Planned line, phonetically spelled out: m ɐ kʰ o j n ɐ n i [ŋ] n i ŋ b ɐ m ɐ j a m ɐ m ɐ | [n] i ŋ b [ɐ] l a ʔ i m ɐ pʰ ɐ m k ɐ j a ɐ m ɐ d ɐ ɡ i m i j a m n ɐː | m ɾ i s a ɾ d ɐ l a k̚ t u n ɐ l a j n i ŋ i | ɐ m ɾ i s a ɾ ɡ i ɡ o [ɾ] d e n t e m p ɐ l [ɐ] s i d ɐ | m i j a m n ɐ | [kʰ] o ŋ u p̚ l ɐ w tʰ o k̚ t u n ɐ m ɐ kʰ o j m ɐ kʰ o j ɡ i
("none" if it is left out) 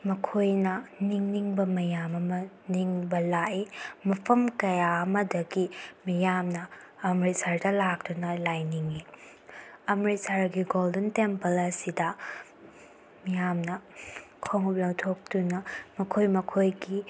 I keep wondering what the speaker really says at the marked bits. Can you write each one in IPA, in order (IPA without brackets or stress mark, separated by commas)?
ŋ, n, ɐ, l, ɐ, kʰ